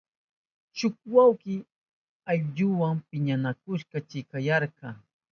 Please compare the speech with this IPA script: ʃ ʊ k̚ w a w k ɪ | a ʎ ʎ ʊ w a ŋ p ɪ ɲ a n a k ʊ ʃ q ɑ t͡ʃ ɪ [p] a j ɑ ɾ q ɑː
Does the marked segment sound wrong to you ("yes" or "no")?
yes